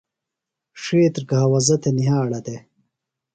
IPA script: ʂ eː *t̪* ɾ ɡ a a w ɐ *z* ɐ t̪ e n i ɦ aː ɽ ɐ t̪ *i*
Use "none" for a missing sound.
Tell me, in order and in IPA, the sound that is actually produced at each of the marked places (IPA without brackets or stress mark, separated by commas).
t̪, z, e